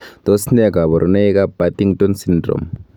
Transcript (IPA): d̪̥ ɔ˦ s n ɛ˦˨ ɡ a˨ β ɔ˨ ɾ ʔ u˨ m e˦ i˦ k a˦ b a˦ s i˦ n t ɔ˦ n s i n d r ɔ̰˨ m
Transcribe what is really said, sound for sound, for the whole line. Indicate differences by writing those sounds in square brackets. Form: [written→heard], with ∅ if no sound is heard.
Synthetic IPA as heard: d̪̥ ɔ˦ s n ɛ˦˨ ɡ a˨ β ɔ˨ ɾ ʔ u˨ [m→n] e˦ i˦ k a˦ b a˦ [s→t] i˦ [n→ŋ] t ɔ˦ n s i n d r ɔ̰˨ m